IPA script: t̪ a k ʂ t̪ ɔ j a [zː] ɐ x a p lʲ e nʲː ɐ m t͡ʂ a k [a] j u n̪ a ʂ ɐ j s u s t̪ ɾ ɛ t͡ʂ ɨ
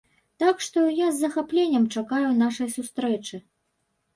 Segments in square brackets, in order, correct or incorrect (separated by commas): correct, correct